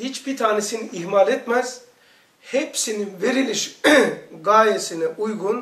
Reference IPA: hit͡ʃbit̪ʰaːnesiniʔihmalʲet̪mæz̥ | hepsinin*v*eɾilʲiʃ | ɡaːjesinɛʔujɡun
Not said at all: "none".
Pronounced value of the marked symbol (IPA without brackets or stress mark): v